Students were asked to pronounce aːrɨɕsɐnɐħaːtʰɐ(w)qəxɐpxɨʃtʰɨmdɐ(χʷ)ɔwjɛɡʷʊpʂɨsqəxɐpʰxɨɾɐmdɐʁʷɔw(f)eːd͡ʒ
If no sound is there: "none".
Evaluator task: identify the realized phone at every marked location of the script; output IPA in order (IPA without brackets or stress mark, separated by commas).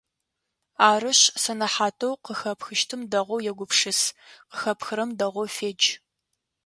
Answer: w, ʁʷ, f